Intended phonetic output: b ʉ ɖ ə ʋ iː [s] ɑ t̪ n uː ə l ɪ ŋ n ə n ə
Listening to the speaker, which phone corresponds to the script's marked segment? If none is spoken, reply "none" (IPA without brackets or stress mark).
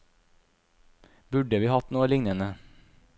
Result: h